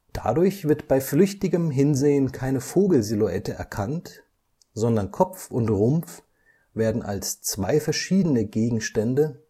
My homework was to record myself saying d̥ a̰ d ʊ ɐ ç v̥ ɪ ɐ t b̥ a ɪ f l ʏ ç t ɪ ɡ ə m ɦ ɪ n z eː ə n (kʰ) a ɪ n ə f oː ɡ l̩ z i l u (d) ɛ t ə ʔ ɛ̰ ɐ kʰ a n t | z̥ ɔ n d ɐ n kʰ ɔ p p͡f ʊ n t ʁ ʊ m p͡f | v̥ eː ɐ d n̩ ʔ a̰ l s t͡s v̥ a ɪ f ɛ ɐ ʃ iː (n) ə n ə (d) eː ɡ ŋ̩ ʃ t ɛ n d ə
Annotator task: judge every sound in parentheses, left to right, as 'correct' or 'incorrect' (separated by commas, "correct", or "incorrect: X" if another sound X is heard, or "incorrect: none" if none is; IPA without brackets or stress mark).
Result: correct, incorrect: none, incorrect: d, incorrect: ɡ